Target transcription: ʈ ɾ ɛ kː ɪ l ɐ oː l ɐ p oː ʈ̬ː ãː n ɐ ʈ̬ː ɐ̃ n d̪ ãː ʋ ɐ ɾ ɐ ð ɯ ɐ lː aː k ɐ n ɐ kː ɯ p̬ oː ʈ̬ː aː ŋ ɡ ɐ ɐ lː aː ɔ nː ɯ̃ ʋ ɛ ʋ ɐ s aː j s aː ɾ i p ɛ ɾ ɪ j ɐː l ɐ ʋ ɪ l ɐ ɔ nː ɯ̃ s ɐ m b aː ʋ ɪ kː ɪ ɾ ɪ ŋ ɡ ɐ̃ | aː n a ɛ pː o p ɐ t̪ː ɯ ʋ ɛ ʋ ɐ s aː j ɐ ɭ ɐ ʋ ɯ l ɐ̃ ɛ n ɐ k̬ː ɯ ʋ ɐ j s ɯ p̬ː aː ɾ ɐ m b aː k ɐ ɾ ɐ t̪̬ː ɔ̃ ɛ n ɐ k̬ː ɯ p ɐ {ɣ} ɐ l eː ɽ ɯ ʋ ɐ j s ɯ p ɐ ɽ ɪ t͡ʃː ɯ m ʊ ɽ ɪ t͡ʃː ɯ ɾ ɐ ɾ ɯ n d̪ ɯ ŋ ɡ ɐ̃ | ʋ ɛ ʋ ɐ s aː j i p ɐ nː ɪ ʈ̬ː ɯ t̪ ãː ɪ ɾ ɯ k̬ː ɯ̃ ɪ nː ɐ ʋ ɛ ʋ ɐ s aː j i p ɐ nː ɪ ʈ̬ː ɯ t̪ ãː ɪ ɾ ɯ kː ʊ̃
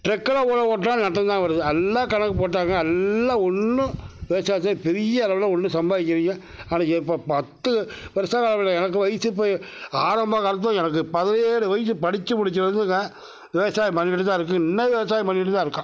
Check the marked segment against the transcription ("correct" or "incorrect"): incorrect